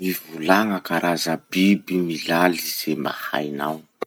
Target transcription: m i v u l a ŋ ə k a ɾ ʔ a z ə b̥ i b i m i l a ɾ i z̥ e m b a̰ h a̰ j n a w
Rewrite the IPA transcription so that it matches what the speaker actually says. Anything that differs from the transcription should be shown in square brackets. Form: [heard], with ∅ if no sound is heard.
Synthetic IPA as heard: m i v u l a ŋ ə k a ɾ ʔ a z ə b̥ i b i m i l a [l] i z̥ e m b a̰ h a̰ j n a w